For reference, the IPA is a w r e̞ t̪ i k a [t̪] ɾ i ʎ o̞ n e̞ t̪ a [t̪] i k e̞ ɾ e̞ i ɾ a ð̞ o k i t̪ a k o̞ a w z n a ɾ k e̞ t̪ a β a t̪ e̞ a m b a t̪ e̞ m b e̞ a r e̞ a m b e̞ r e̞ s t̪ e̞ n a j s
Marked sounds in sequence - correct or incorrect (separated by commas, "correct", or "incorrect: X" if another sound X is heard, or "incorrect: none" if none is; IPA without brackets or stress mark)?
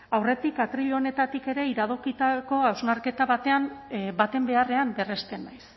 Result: correct, correct